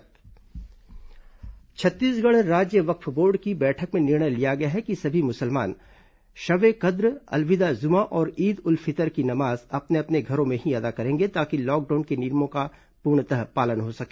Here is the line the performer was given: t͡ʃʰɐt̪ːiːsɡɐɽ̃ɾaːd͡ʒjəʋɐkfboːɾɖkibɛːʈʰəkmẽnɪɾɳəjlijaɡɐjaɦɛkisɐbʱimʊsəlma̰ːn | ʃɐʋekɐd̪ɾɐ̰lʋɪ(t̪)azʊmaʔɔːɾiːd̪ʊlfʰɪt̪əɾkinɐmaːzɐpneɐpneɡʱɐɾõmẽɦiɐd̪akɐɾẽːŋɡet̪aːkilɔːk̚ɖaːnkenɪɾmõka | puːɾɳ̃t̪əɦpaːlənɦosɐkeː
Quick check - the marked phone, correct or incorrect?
incorrect